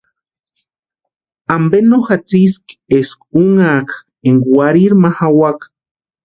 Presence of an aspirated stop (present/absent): absent